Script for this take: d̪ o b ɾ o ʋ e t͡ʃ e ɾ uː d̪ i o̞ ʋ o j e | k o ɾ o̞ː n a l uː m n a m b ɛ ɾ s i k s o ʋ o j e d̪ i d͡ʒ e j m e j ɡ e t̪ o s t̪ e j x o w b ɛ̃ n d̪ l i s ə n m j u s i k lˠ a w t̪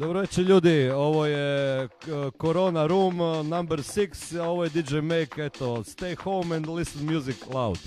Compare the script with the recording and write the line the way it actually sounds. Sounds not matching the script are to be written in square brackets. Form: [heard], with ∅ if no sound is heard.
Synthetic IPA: d̪ o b ɾ o ʋ e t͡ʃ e [ʎ] uː d̪ i o̞ ʋ o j e | k o ɾ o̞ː n a [ɾ] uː m n a m b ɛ ɾ s i k s o ʋ o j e d̪ i d͡ʒ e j m e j [k] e t̪ o s t̪ e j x o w [m] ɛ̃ n d̪ l i s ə n m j u [z] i k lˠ a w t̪